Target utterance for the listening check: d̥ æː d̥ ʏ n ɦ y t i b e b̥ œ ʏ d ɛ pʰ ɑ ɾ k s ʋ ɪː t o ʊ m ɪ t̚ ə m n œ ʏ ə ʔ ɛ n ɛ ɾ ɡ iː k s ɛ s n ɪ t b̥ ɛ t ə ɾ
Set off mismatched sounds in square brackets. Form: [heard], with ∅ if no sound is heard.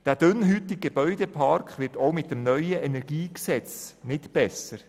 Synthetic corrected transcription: d̥ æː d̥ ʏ n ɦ y t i [ɡ] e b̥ œ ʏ d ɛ pʰ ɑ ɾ k [χ] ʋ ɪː t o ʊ m ɪ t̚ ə m n œ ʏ ə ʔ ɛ n ɛ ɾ ɡ iː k s ɛ [t͡s] n ɪ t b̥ ɛ [s] ə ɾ